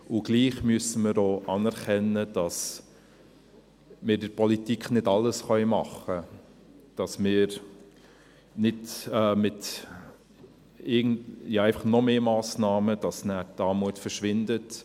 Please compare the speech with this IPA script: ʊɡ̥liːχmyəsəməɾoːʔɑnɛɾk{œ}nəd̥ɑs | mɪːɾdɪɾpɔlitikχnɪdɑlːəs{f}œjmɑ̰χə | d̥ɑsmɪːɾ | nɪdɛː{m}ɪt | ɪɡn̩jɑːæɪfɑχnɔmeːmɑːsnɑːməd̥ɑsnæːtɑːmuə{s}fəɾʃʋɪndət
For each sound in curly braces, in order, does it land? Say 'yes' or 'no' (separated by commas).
no, no, yes, no